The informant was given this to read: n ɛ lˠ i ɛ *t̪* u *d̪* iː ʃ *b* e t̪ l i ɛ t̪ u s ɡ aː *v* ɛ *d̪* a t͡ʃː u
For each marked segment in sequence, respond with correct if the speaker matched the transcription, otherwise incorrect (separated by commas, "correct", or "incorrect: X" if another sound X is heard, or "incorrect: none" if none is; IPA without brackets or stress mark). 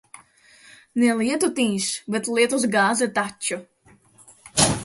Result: correct, incorrect: t̪, correct, incorrect: z, incorrect: t̪